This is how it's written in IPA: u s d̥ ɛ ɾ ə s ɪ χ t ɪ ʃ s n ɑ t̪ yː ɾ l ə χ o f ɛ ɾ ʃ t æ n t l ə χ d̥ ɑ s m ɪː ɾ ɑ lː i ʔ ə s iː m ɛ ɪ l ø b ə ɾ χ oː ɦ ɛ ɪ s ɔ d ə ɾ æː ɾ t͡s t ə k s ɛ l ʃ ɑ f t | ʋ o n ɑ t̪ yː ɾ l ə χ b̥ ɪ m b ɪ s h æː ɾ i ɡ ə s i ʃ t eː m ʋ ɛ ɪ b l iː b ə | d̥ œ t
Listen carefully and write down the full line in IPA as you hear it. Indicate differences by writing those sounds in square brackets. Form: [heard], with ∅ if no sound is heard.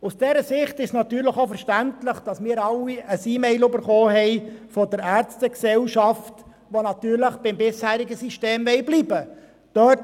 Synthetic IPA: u s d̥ ɛ ɾ ə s ɪ χ t ɪ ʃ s n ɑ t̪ yː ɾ l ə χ o f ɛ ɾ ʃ t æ n t l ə χ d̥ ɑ s m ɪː ɾ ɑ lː i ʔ ə s iː m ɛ ɪ l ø b ə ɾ χ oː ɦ ɛ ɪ [f] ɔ d ə ɾ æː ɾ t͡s t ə k s ɛ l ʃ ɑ f t | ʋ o n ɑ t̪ yː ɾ l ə χ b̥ ɪ m b ɪ s h æː ɾ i ɡ ə s i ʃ t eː m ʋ ɛ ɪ b l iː b ə | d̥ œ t

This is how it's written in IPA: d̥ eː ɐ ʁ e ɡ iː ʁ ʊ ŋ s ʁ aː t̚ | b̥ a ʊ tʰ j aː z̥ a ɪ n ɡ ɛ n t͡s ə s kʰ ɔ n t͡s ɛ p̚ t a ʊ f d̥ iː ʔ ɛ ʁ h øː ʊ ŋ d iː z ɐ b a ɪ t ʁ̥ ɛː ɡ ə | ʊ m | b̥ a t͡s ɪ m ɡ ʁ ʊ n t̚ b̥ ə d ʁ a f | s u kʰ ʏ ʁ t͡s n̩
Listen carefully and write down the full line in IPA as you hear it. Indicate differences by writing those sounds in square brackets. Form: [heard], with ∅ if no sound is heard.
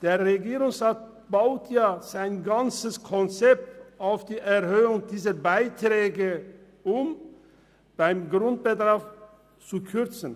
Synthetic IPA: d̥ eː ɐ ʁ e ɡ iː ʁ ʊ ŋ s ʁ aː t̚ | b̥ a ʊ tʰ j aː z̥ a ɪ n ɡ [a] n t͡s ə s kʰ ɔ n t͡s ɛ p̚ t a ʊ f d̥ iː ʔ ɛ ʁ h øː ʊ ŋ d iː z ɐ b a ɪ t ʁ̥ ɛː ɡ ə | ʊ m | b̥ a [∅] ɪ m ɡ ʁ ʊ n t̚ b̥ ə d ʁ a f | [t͡s] u kʰ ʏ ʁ t͡s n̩

